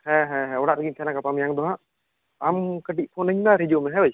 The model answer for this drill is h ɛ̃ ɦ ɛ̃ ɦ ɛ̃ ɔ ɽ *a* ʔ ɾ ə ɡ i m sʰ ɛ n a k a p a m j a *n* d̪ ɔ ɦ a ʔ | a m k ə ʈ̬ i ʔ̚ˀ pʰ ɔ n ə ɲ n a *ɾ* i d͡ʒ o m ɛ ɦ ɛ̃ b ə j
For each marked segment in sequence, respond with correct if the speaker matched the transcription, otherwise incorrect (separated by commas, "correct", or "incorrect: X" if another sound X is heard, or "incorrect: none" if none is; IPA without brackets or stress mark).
correct, incorrect: ŋ, correct